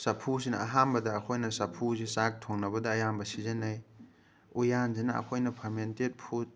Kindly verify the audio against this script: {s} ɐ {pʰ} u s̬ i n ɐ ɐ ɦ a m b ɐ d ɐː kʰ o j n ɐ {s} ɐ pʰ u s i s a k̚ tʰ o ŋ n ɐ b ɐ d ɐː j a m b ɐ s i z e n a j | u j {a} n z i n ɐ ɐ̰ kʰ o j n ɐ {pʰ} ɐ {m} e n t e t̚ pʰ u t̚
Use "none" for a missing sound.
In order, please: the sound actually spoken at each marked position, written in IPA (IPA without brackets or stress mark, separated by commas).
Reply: s, pʰ, s, a, pʰ, m